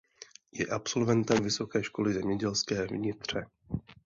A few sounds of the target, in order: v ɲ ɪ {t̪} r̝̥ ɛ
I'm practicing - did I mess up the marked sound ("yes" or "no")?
no